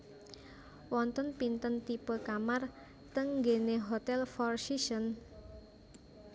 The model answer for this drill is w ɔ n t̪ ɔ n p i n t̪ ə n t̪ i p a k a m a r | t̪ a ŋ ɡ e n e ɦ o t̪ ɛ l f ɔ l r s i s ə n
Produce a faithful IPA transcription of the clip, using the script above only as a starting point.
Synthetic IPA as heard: w ɔ n t̪ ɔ n p i n t̪ ə n t̪ i p ə k a m a r | t̪ ə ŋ ɡ e n e ɦ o t̪ ɛ l f ɔ r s i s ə n